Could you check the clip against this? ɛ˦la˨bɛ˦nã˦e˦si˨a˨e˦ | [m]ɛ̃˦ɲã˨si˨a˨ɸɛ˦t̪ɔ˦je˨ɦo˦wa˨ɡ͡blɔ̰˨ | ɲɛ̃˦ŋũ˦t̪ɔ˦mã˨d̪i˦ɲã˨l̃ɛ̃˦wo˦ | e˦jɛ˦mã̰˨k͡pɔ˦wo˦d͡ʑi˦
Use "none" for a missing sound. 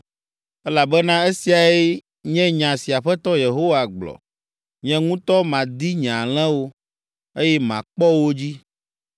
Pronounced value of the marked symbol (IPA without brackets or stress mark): ɲ